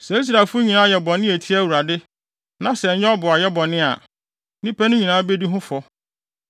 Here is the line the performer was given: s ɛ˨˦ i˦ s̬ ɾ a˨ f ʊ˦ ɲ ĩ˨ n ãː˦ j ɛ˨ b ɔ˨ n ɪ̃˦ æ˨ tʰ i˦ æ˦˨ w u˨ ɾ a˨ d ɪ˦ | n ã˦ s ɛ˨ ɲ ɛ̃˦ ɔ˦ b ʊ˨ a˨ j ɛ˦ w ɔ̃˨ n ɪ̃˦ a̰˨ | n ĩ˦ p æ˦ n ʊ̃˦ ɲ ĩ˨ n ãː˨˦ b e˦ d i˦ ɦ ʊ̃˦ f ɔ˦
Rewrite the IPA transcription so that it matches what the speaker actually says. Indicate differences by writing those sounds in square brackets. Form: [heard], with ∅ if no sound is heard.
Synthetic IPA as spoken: s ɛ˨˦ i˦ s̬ ɾ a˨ f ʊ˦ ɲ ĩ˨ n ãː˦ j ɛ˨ b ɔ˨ n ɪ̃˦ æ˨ tʰ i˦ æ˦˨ w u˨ ɾ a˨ d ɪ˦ | n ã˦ s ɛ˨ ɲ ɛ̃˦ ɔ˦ b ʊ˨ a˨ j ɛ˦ [b] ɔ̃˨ n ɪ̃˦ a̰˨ | n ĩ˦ p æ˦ n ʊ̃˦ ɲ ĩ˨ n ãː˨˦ b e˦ d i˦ ɦ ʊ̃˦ f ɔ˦